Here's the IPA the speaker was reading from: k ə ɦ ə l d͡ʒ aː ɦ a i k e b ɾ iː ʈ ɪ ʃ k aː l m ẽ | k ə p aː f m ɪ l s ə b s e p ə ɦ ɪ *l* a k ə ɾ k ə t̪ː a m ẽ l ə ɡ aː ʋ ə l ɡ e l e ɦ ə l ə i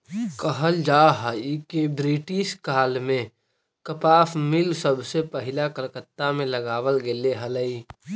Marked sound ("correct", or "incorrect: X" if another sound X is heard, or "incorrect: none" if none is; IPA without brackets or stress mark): correct